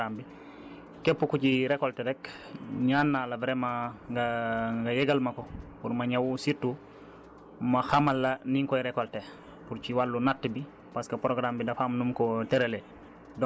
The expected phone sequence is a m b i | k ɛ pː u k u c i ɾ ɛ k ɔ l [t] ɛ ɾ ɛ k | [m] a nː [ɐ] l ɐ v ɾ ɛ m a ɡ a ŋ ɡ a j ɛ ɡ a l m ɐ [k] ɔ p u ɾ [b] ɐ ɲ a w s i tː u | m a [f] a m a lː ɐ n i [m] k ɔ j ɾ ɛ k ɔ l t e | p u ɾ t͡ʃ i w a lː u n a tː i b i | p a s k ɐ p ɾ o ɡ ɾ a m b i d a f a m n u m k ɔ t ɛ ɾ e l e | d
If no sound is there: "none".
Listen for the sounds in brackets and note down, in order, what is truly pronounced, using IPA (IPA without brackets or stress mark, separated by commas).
t, ɲ, a, k, m, x, ŋ